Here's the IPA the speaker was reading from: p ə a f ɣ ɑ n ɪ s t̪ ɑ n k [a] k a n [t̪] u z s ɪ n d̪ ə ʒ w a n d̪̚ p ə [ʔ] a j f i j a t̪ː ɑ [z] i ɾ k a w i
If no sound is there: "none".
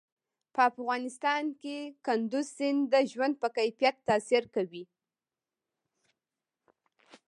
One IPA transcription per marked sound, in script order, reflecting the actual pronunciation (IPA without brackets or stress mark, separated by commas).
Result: e, d̪, k, s